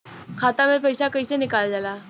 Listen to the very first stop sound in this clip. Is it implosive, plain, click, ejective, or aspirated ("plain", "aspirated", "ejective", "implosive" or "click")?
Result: aspirated